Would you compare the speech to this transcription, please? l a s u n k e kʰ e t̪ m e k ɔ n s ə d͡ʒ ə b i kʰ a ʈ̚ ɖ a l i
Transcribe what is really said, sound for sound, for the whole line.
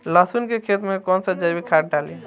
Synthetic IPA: l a s u n k e kʰ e t̪ m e k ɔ n s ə d͡ʒ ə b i kʰ a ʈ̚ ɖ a l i